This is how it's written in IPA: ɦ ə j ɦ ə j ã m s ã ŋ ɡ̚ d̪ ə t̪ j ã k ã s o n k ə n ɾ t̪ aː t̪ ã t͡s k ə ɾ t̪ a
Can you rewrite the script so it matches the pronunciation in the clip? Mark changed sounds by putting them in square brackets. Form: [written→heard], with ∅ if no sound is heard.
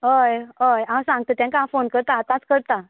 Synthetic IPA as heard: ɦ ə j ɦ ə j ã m s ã ŋ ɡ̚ [d̪→t̪] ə t̪ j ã k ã [s→f] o n k ə [n→∅] ɾ t̪ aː t̪ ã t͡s k ə ɾ t̪ a